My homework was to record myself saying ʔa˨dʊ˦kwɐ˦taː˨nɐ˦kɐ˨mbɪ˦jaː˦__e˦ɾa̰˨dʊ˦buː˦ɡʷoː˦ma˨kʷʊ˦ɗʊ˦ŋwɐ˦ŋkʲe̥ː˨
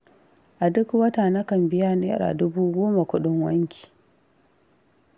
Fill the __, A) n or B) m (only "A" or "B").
A